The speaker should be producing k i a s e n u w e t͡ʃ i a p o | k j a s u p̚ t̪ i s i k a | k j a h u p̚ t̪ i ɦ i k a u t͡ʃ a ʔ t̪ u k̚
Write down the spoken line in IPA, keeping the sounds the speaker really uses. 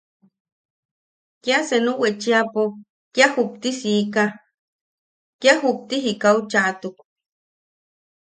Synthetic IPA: k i a s e n u w e t͡ʃ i a p o | k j a h u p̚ t̪ i s i k a | k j a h u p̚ t̪ i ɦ i k a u t͡ʃ a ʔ t̪ u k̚